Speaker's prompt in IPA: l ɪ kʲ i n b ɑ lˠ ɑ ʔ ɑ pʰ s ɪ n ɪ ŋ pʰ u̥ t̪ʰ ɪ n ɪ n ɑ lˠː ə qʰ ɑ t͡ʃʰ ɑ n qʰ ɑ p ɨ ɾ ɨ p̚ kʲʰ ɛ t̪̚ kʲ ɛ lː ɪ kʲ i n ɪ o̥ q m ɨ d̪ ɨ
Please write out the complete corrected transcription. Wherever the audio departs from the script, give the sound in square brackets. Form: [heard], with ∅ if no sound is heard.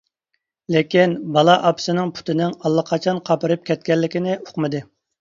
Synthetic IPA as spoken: l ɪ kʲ i n b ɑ lˠ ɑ ʔ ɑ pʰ s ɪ n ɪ ŋ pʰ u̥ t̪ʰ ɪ n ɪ [ŋ] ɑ lˠː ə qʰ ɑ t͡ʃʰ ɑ n qʰ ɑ p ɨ ɾ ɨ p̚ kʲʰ ɛ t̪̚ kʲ ɛ lː ɪ kʲ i n ɪ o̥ q m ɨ d̪ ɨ